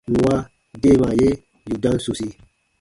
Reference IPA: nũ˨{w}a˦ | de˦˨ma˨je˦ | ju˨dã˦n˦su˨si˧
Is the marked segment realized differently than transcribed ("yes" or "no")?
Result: no